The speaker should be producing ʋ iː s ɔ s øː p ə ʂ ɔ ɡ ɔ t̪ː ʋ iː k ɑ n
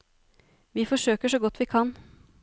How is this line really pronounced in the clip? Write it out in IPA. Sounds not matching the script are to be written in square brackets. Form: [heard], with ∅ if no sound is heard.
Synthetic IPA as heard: ʋ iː [f] ɔ [ʂ] øː [k] ə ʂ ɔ ɡ ɔ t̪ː ʋ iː [kʰ] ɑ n